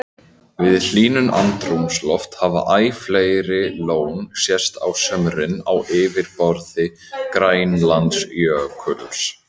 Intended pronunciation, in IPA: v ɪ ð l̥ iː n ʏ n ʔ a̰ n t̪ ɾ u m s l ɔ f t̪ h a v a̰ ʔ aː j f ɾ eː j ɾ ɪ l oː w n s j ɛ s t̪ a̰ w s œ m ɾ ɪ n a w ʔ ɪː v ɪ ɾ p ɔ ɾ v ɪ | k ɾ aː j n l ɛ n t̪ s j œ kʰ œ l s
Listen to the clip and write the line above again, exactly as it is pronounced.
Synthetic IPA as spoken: v ɪ ð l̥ iː n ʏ n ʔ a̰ n t̪ ɾ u m s l ɔ f t̪ h a v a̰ ʔ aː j f l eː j ɾ ɪ l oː w n s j ɛ s t̪ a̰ w s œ m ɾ ɪ n a w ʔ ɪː v ɪ ɾ p ɔ ɾ ð ɪ | k ɾ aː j n l a n t̪ s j œ kʰ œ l s